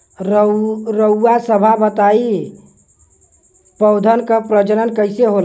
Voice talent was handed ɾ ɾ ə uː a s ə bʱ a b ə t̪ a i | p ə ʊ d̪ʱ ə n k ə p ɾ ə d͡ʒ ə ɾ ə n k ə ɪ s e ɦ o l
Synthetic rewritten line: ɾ ɾ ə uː a s ə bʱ a b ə t̪ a i | p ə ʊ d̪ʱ ə n k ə p ɾ ə d͡ʒ ə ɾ ə n k ə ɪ s e ɦ o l